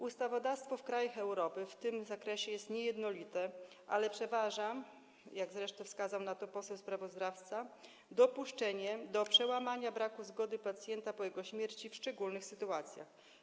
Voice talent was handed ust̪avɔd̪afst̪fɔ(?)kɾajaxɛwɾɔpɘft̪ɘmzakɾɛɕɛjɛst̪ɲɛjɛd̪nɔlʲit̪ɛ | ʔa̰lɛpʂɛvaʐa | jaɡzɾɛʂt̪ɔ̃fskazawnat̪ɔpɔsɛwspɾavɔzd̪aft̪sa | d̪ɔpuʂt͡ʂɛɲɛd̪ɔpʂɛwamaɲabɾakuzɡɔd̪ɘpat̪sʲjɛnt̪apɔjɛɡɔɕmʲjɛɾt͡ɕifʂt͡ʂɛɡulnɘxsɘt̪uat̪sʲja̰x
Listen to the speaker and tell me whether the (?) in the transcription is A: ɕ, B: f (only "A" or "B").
B